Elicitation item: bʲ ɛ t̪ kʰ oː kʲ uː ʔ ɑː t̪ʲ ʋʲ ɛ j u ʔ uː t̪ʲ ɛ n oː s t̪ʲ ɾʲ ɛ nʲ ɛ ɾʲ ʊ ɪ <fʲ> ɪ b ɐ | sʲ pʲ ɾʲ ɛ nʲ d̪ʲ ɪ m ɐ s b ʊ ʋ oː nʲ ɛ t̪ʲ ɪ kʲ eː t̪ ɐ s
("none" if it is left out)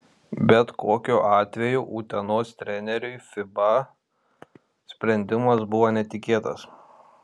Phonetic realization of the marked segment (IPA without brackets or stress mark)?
fʲ